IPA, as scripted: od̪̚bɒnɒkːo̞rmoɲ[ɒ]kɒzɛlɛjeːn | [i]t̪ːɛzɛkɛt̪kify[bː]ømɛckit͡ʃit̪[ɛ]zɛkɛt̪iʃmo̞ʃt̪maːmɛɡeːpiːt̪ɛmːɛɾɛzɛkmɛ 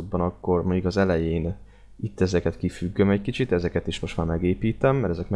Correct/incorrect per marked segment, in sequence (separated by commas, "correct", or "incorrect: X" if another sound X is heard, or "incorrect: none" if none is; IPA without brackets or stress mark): incorrect: u, correct, incorrect: ɡː, correct